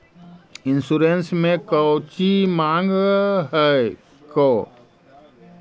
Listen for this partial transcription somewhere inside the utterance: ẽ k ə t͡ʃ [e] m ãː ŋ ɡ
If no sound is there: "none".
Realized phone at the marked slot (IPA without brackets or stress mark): i